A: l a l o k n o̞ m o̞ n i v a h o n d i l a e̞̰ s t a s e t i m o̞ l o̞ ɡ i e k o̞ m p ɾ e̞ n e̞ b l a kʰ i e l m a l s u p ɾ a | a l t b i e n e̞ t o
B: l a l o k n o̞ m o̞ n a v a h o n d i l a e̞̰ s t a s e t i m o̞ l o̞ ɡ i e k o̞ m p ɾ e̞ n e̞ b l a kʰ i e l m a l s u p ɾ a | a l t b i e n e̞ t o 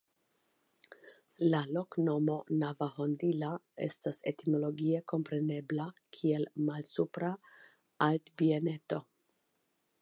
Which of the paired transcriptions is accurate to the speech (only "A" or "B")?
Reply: B